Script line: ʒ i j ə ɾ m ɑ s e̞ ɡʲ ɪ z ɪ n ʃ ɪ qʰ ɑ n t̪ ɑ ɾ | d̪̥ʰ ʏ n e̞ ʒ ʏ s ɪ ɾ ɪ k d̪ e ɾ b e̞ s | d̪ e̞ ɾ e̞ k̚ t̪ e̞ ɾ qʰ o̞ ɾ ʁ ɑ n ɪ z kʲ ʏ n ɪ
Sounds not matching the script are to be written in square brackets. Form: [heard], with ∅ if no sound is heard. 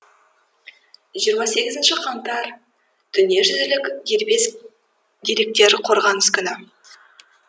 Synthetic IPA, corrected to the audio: ʒ i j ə ɾ m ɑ s e̞ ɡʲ ɪ z ɪ n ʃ ɪ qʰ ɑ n t̪ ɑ ɾ | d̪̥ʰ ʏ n e̞ ʒ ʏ [z] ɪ [l] ɪ k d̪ e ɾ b e̞ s | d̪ e̞ ɾ e̞ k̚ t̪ e̞ ɾ qʰ o̞ ɾ ʁ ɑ n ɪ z kʲ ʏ n ɪ